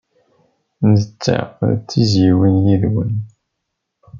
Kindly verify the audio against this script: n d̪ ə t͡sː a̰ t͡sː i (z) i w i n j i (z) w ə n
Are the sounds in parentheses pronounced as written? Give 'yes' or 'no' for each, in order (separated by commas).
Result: yes, no